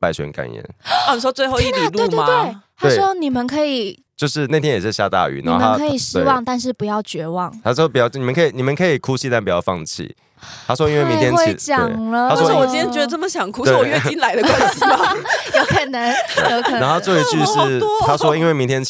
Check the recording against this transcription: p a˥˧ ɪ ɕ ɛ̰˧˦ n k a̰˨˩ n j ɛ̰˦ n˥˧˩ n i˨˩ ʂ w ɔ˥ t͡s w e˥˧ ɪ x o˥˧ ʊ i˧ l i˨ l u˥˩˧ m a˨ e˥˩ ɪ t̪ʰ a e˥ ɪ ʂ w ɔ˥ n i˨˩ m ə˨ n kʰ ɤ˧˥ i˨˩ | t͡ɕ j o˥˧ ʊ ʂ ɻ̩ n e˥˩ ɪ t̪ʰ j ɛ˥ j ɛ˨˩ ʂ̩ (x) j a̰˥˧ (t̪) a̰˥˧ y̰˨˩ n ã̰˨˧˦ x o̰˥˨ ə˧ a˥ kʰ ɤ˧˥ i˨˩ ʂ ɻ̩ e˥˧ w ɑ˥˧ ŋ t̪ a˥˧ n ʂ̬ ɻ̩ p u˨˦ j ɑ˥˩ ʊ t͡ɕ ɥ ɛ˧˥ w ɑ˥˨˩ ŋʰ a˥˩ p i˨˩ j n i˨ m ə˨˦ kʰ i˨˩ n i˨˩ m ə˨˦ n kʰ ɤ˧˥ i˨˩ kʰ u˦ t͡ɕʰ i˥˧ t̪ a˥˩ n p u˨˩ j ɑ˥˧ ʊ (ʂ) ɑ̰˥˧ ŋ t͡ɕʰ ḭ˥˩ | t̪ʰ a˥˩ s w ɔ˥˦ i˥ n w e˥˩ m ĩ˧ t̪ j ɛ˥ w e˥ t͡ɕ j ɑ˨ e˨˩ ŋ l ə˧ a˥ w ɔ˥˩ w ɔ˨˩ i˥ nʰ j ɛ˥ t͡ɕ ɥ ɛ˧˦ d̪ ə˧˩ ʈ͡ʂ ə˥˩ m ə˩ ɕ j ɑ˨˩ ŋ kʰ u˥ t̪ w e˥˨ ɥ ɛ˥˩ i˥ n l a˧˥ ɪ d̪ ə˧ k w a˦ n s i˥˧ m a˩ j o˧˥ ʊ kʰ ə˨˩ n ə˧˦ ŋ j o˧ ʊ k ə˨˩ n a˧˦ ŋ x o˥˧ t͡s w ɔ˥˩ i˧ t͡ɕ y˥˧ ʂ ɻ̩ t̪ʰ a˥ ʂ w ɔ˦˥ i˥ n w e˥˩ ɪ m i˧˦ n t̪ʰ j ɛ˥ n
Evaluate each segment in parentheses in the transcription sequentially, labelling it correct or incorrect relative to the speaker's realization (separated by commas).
incorrect, correct, incorrect